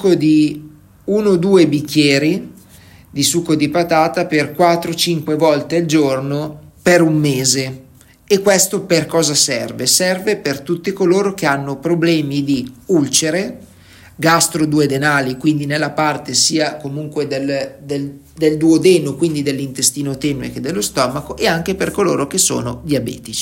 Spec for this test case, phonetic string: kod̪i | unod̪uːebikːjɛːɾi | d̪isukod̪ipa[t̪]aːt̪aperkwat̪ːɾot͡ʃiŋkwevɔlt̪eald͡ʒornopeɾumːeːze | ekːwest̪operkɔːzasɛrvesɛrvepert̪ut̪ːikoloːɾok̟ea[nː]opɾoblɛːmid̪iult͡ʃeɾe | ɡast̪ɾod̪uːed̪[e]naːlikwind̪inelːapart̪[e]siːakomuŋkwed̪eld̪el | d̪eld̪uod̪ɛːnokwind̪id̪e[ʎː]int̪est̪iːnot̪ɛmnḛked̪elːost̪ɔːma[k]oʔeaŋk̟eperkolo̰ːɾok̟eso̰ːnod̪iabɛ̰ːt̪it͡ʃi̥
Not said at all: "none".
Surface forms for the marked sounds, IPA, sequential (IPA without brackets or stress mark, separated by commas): t̪, nː, e, e, lː, k